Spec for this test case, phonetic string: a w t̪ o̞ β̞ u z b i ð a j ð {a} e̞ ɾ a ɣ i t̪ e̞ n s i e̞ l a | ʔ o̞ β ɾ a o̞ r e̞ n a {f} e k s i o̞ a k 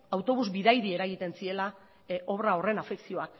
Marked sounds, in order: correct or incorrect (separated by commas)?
incorrect, correct